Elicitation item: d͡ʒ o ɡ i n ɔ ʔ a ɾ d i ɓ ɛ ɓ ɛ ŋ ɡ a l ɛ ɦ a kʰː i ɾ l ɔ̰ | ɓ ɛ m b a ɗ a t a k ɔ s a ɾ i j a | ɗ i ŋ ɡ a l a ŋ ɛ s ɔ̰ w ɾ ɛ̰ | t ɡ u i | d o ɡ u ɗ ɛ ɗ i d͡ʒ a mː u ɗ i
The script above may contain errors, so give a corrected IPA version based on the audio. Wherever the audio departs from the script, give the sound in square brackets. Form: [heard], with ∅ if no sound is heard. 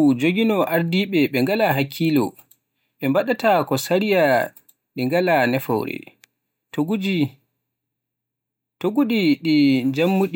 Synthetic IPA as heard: d͡ʒ o ɡ i n ɔ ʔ a ɾ d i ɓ ɛ ɓ ɛ ŋ ɡ a l [a] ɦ a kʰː i [∅] l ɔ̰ | ɓ ɛ m b a ɗ a t a k ɔ s a ɾ i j a | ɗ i ŋ ɡ a l a [n] ɛ [f] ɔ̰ w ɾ ɛ̰ | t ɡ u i | [t] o ɡ u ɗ [i] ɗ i d͡ʒ a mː u ɗ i